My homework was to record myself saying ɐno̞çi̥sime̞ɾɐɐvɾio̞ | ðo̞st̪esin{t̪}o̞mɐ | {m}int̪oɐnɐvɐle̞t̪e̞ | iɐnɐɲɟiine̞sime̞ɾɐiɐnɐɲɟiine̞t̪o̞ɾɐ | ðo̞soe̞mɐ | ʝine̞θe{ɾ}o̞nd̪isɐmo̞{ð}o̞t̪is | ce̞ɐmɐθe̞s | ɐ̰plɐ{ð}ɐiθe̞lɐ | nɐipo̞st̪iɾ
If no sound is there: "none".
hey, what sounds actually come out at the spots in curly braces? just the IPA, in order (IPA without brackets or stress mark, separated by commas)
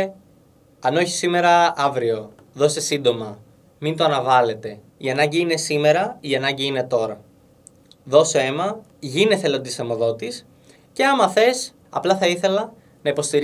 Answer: d̪, m, l, ð, θ